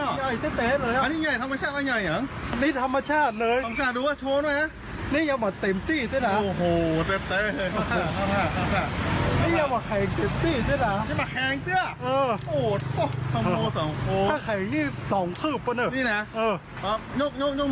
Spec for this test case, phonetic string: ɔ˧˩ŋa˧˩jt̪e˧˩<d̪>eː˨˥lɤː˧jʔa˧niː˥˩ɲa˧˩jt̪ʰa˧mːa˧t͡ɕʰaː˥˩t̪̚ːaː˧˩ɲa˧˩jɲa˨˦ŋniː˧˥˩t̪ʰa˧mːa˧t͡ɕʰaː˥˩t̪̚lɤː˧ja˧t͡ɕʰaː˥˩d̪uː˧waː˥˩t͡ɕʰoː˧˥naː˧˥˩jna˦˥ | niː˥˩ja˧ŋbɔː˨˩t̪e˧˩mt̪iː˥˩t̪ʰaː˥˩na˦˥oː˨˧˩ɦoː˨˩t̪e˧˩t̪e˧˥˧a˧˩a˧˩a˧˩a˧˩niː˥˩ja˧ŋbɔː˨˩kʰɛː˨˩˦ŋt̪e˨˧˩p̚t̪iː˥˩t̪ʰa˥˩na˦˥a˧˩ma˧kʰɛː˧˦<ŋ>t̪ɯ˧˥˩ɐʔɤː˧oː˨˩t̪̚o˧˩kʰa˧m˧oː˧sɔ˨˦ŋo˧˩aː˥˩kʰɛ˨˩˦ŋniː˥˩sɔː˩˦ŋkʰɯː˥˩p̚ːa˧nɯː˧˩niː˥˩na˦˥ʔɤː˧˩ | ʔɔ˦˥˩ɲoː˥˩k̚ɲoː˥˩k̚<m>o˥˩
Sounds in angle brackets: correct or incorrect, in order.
incorrect: t̪, correct, incorrect: ɲ

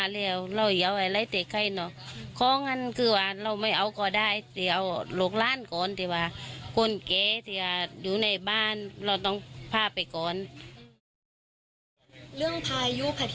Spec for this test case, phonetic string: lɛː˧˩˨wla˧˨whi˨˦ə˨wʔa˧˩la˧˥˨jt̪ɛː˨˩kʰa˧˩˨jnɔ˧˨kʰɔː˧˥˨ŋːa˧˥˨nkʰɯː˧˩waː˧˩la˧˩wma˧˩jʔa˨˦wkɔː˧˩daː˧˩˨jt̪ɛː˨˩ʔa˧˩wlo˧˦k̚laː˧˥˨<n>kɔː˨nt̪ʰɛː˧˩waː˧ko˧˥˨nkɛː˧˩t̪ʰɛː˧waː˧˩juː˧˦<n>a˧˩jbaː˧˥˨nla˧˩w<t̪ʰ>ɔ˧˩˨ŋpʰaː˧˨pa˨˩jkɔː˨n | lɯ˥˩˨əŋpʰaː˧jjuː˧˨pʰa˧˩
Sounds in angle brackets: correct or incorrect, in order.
correct, correct, incorrect: t̪

